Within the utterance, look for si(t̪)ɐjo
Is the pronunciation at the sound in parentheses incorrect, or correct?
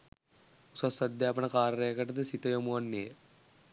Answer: correct